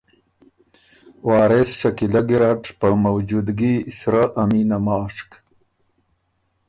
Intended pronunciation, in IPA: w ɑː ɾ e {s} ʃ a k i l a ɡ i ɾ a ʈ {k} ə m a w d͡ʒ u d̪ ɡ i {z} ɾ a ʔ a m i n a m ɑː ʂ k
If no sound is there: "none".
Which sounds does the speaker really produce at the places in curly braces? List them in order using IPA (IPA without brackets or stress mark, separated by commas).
s, p, s